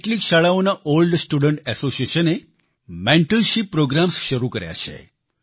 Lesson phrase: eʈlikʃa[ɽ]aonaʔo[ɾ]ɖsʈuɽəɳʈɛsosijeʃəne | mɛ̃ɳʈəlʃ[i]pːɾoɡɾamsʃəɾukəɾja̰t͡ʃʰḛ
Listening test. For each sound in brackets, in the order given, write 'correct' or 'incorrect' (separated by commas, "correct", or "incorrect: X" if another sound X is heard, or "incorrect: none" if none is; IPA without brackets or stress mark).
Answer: incorrect: ɭ, incorrect: l, correct